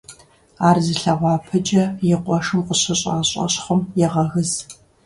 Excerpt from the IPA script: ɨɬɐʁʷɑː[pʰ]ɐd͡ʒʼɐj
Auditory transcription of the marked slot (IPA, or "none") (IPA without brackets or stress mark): pʰ